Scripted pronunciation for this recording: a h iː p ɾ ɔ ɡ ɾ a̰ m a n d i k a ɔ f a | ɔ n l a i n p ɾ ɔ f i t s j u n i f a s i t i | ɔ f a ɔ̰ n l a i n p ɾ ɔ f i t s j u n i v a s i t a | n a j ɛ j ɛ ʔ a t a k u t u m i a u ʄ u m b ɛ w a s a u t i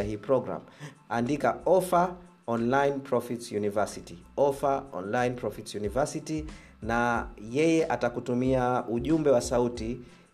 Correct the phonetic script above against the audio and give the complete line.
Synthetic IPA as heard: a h iː p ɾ ɔ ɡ ɾ a̰ m a n d i k a ɔ f a | ɔ n l a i n p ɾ ɔ f i t s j u n i v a s i t i | ɔ f a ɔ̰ n l a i n p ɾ ɔ f i t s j u n i v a s i t i | n a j ɛ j ɛ ʔ a t a k u t u m i a u ʄ u m b ɛ w a s a u t i